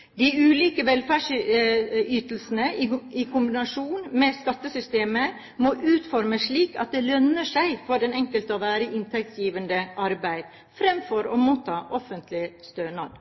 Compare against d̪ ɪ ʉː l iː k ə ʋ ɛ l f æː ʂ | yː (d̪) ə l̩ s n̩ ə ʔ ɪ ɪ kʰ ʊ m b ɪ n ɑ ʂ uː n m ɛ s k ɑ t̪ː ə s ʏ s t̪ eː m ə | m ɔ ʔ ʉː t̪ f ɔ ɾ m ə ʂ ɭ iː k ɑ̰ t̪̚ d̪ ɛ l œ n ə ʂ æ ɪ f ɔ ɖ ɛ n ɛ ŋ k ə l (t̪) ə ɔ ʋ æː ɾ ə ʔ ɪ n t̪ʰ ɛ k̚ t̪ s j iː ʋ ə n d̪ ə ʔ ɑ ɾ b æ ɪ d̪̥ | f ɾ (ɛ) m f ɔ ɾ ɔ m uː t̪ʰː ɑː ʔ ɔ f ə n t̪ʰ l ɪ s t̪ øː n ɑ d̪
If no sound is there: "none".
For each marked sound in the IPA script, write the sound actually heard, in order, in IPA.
t̪, t̪, ɛ

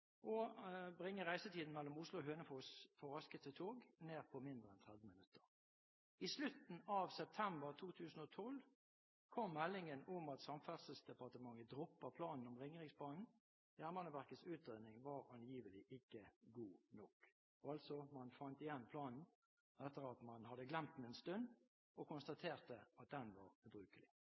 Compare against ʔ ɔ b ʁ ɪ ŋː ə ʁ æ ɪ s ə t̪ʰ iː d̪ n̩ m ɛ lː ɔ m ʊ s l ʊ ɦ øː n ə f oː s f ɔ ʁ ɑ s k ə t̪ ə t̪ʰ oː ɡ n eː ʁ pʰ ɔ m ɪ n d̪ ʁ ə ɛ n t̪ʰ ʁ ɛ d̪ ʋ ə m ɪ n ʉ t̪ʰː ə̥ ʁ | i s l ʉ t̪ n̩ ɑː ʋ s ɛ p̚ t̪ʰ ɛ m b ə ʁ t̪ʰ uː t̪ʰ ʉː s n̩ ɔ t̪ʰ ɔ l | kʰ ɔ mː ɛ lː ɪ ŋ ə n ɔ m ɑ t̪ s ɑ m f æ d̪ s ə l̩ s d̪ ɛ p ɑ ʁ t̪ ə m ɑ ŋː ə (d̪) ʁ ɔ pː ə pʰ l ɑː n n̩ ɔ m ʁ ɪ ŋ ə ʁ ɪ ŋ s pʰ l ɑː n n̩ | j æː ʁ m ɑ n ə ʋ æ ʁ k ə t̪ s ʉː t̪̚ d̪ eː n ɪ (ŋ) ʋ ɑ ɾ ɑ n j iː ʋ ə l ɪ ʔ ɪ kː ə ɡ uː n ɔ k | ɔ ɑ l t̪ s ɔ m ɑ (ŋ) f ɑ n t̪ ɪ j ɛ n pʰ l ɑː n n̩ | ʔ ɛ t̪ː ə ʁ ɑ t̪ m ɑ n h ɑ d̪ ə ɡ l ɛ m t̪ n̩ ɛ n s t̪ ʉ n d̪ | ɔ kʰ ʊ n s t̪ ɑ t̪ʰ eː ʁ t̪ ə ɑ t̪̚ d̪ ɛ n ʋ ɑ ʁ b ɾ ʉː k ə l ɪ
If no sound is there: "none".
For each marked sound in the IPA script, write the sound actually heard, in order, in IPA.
d̪, ŋ, n

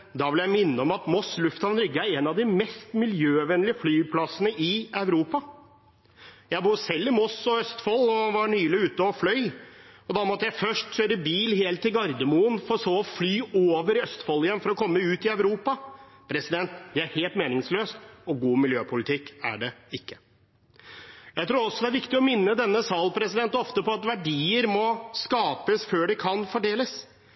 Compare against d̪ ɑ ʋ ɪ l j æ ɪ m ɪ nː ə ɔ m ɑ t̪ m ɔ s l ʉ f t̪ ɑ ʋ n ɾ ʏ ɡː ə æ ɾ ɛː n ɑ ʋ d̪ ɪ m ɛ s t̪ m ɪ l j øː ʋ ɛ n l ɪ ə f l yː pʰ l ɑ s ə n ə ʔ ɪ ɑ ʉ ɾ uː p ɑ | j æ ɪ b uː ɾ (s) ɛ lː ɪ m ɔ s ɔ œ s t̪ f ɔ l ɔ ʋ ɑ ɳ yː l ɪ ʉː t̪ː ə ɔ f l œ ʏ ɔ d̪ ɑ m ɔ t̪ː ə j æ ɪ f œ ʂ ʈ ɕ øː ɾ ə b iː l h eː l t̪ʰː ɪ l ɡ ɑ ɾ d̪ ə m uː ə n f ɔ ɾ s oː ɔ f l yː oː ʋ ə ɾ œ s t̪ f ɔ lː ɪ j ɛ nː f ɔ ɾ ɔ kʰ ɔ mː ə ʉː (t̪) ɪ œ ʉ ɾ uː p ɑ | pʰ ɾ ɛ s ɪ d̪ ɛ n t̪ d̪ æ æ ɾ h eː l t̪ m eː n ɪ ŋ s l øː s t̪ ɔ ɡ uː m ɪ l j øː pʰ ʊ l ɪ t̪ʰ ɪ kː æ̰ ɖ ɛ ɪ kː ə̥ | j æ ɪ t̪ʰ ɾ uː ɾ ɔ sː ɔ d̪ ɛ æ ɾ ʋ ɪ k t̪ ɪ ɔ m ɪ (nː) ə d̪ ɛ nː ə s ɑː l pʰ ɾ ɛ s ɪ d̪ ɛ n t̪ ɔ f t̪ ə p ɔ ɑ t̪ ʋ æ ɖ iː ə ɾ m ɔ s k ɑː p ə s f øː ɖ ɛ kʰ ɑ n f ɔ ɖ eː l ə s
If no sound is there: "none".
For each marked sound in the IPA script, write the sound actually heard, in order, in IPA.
s, t̪, nː

